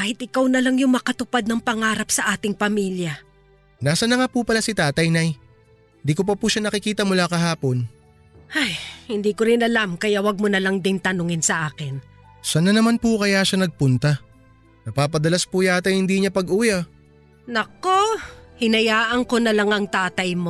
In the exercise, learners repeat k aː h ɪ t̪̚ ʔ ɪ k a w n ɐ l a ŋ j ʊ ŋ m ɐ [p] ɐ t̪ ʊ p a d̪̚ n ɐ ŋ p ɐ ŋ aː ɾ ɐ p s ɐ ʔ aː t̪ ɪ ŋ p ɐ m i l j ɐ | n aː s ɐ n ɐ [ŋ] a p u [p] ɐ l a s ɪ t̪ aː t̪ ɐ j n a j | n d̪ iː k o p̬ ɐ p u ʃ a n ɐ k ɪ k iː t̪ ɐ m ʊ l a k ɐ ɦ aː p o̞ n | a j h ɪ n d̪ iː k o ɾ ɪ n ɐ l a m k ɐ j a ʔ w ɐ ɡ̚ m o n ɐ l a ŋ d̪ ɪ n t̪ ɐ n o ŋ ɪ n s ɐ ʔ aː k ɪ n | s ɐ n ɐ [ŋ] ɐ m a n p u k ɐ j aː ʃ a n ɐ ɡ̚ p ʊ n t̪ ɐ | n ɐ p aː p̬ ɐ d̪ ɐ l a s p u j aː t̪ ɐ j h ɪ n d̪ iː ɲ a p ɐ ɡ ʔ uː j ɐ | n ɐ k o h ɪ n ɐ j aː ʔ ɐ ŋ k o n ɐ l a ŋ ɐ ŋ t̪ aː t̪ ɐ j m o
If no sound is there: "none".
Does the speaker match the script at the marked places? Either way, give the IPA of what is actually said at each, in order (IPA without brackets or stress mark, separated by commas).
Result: k, ŋ, p, n